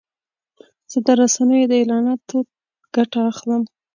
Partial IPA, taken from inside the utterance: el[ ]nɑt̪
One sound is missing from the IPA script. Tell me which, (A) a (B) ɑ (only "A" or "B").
B